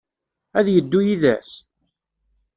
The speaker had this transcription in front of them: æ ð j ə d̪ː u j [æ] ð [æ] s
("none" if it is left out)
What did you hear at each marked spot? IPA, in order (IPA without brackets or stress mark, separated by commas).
i, æ